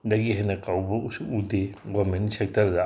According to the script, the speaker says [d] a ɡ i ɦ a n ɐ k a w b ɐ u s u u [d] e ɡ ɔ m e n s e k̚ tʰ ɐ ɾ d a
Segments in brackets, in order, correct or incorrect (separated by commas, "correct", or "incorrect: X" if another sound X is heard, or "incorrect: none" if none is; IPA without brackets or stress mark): correct, correct